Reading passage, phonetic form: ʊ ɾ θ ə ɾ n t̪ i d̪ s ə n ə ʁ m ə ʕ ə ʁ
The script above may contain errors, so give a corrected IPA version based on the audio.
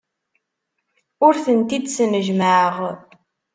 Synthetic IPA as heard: ʊ ɾ θ ə n t̪ i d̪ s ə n ə ʒ m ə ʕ ə ʁ